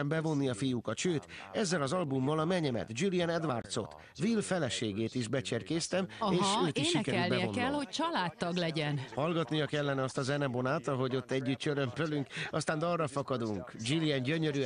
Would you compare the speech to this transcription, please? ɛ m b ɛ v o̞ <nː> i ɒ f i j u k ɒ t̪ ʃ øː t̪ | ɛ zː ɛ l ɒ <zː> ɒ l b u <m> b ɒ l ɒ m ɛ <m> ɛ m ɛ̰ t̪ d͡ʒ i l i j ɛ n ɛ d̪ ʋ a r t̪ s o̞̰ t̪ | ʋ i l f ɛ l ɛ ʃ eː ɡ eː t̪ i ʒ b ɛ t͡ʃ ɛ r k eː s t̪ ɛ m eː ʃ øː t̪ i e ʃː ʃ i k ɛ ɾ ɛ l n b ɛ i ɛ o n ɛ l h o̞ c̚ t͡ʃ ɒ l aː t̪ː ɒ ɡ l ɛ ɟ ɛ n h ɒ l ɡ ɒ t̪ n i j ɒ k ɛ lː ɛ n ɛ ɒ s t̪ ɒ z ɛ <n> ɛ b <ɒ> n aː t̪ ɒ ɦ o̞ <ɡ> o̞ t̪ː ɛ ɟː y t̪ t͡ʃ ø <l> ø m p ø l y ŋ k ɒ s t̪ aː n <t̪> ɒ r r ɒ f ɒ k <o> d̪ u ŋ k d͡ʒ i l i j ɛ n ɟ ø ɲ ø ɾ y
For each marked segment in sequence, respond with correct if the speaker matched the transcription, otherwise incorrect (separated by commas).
correct, incorrect, correct, incorrect, correct, incorrect, incorrect, incorrect, incorrect, incorrect